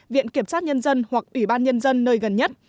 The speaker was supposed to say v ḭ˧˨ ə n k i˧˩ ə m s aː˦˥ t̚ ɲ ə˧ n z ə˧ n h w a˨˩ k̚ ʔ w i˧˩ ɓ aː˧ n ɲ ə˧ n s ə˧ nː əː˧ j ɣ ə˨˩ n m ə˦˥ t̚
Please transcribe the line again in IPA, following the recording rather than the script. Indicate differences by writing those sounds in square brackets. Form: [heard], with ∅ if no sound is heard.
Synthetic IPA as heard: v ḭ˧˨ ə n k i˧˩ ə m s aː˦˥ t̚ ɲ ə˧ n z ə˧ n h w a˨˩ k̚ ʔ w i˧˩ ɓ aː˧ n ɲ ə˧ n [z] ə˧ nː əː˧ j ɣ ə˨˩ n [ɲ] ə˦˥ t̚

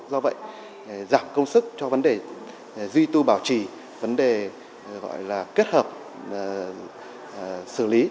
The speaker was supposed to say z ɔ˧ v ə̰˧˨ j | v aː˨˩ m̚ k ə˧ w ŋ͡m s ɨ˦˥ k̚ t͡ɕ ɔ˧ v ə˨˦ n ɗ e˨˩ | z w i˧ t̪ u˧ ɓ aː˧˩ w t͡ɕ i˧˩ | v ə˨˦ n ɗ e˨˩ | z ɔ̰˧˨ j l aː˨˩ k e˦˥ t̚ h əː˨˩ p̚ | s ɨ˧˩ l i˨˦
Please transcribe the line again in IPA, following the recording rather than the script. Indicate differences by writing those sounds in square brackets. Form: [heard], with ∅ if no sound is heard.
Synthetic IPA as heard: z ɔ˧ v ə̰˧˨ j | [z] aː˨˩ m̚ k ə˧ w ŋ͡m s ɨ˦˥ k̚ t͡ɕ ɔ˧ v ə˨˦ n ɗ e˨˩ | z w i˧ t̪ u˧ ɓ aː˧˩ w t͡ɕ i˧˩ | v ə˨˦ n ɗ e˨˩ | [ɣ] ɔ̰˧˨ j l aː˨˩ k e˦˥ t̚ h əː˨˩ p̚ | s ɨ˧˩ l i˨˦

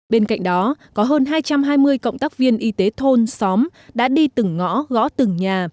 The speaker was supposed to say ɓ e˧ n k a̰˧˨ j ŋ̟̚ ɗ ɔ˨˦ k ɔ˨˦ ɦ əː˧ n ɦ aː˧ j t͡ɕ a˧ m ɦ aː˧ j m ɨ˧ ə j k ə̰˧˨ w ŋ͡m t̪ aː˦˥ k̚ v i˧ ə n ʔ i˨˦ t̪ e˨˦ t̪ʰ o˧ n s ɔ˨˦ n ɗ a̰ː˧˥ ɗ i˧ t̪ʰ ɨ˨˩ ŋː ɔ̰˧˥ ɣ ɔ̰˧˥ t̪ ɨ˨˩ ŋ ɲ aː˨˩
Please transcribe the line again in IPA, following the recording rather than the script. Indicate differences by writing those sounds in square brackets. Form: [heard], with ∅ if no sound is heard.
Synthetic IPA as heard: ɓ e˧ n k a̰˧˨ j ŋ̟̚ ɗ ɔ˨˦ k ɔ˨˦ ɦ əː˧ n ɦ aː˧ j t͡ɕ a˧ m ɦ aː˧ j m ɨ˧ ə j k ə̰˧˨ w ŋ͡m t̪ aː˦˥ k̚ v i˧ ə n ʔ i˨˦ t̪ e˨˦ t̪ʰ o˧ n s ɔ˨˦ [m] ɗ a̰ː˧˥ ɗ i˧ [t̪] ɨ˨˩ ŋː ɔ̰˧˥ ɣ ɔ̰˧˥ t̪ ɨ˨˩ ŋ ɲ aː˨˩

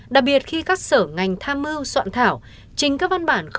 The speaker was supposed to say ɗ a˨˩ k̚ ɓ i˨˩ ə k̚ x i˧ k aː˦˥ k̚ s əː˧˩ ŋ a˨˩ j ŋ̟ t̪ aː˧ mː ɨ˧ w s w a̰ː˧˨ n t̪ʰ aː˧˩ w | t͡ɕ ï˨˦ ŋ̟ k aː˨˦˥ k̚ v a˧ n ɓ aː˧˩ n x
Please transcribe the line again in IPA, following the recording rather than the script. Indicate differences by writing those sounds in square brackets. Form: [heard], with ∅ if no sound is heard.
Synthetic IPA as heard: ɗ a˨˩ k̚ ɓ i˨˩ ə [t̚] x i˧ k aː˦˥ k̚ s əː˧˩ ŋ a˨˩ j ŋ̟ [t̪ʰ] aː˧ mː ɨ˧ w s w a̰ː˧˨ n t̪ʰ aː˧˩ w | t͡ɕ [ï˨˩] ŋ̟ k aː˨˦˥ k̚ v a˧ n ɓ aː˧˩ n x

